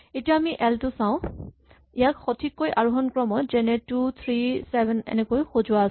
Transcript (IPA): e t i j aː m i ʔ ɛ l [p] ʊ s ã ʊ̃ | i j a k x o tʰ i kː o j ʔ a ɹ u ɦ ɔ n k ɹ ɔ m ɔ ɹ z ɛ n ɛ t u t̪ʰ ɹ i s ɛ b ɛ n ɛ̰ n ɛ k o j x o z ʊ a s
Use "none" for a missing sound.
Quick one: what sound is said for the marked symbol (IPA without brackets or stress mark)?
t